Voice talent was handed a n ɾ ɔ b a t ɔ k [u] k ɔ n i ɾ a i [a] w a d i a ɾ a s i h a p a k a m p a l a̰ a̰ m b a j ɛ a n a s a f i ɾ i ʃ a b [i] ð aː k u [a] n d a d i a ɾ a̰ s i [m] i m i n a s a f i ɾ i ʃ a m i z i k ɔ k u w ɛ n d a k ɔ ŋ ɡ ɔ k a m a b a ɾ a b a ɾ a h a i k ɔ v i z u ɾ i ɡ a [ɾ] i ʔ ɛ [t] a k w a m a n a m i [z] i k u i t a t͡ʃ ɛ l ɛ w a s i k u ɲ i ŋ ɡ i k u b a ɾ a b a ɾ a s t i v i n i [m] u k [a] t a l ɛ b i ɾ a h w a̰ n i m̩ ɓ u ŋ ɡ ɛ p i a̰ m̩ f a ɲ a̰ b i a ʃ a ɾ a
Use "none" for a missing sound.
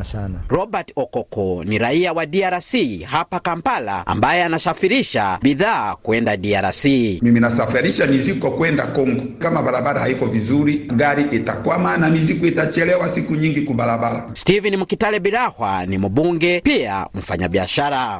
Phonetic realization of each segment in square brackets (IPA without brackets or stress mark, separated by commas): ɔ, a, i, ɛ, m, ɾ, t, z, m, i